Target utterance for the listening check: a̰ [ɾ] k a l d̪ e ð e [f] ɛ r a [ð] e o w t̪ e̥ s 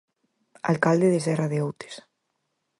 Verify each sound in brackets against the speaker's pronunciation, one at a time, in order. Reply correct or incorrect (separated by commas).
incorrect, incorrect, correct